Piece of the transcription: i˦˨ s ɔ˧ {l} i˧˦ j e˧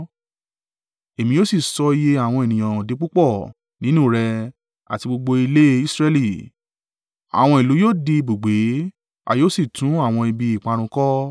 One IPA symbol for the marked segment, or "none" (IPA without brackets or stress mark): none